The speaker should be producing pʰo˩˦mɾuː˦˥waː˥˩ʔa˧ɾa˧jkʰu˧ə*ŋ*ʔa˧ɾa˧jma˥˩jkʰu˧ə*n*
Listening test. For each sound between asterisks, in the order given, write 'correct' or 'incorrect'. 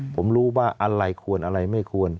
incorrect: n, correct

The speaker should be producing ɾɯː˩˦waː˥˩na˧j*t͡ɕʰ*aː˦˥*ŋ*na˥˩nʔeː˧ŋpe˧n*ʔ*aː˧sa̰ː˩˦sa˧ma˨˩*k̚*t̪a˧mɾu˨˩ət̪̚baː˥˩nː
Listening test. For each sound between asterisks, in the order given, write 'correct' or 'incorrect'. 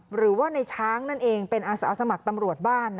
correct, correct, correct, correct

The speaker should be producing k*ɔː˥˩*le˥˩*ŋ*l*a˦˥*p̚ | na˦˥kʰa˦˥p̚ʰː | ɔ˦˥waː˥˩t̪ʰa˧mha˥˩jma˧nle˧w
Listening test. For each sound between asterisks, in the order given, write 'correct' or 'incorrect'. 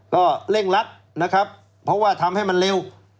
correct, correct, correct

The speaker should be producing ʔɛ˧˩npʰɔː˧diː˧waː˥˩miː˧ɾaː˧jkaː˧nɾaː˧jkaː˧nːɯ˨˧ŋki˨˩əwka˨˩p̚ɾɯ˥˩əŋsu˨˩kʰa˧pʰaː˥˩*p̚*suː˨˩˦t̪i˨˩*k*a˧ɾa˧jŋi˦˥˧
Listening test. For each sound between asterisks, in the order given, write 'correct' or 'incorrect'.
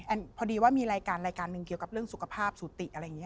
correct, incorrect: ʔ

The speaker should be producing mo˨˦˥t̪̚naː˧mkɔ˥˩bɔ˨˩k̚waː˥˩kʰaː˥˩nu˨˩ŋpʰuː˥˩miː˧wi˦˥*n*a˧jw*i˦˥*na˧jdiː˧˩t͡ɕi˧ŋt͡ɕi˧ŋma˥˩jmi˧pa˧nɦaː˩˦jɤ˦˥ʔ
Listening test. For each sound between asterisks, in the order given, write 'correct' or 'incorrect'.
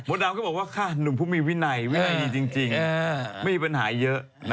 correct, correct

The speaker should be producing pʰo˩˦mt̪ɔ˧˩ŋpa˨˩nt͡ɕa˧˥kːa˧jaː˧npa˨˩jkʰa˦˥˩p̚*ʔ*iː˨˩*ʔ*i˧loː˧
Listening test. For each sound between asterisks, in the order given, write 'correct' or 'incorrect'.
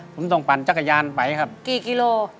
incorrect: k, incorrect: k

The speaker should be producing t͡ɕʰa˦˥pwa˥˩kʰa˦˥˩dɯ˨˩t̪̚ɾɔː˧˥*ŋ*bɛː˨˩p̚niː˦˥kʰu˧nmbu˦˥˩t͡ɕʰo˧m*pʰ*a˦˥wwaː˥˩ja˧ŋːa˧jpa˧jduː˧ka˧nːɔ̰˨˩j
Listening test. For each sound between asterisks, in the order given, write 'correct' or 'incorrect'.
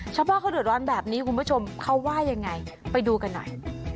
incorrect: n, incorrect: kʰ

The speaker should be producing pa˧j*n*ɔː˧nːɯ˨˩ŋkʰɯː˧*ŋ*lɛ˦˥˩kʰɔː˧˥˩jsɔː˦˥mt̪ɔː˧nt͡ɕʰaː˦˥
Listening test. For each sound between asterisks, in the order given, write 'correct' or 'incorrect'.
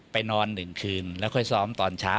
correct, incorrect: n

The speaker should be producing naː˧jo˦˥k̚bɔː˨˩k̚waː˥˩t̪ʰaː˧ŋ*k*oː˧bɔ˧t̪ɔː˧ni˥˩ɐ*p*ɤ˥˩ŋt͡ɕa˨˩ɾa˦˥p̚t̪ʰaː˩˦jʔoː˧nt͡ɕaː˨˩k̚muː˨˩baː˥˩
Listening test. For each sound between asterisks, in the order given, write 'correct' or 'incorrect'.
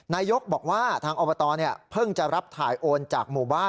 incorrect: ʔ, incorrect: pʰ

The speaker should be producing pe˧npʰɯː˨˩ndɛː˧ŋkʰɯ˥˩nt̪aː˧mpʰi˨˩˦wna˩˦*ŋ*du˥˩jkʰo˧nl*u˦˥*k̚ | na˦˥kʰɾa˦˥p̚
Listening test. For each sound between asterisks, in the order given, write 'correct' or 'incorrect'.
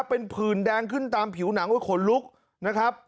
correct, correct

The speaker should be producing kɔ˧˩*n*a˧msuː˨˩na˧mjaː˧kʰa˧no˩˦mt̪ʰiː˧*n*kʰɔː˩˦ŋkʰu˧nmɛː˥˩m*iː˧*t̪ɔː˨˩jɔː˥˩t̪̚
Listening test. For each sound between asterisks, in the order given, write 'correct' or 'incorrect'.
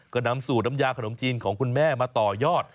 correct, correct, incorrect: aː˧

